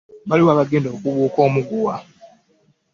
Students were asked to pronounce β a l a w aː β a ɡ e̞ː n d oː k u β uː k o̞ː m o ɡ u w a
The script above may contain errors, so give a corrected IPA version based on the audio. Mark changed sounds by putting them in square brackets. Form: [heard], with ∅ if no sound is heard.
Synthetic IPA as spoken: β a l [i] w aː β a ɡ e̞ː n d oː k u β uː k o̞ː m [u] ɡ u w a